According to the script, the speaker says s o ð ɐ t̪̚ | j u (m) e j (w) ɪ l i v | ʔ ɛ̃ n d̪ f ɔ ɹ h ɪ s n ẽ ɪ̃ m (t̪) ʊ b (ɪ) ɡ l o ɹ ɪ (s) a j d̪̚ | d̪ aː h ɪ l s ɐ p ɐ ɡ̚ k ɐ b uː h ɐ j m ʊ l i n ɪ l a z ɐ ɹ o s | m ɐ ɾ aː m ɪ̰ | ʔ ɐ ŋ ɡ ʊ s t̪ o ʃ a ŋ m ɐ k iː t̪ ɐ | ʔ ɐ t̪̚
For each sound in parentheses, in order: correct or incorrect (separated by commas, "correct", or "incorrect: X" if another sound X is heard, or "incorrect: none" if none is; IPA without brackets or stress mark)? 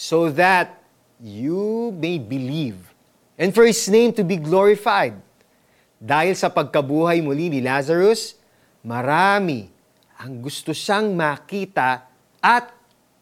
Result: correct, incorrect: b, correct, incorrect: i, incorrect: f